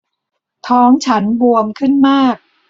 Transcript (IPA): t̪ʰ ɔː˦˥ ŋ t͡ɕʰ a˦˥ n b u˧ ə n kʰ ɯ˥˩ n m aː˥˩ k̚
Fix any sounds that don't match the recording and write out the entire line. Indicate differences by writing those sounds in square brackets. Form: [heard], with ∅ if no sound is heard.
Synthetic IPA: t̪ʰ ɔː˦˥ ŋ t͡ɕʰ a˦˥ n b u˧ ə [m] kʰ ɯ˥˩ n m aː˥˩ k̚